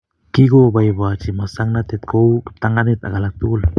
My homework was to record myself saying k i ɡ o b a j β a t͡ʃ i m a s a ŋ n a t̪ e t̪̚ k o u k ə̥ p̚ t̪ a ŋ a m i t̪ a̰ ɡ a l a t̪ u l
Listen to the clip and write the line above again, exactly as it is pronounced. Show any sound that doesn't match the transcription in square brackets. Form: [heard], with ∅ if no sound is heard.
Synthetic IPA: k i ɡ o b a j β a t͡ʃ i m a s a ŋ n a t̪ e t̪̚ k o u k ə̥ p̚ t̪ a ŋ a [n] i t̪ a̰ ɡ a l a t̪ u l